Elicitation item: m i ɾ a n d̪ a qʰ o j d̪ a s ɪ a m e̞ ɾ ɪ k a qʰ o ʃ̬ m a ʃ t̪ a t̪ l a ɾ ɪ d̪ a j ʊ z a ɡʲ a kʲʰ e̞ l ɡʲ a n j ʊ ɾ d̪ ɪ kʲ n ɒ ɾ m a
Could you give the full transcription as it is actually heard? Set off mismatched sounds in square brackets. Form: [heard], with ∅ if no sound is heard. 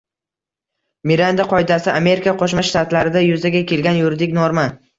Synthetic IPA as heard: m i ɾ a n d̪ a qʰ [ɒ] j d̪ a s ɪ a m e̞ ɾ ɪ k a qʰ o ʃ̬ m a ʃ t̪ a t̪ l a ɾ ɪ d̪ a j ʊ z a ɡʲ a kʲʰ e̞ l ɡʲ a n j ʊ ɾ d̪ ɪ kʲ n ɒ ɾ m a